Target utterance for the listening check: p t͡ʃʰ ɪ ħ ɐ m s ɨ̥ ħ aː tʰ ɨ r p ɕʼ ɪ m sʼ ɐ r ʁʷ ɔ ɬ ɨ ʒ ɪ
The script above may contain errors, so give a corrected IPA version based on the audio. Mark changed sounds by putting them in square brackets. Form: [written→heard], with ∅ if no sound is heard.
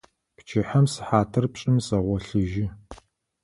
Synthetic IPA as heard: p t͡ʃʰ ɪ ħ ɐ m s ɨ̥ ħ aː tʰ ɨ r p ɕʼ ɪ m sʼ ɐ [r→∅] ʁʷ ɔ ɬ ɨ ʒ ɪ